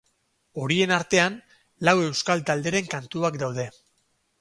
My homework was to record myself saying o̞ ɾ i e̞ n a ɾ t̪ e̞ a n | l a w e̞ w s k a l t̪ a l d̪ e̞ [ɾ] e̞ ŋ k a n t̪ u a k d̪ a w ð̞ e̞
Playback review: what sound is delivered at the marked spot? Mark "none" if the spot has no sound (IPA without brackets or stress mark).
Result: ɾ